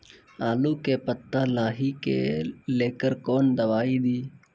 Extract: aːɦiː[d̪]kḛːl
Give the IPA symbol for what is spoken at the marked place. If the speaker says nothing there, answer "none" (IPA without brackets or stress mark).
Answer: none